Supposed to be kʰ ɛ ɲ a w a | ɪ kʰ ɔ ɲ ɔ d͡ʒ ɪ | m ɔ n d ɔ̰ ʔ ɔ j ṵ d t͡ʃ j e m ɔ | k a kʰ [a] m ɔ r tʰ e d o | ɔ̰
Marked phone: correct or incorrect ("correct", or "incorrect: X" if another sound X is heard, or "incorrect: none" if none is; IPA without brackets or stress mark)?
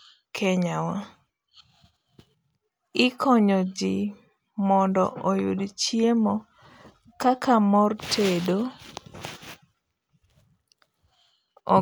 correct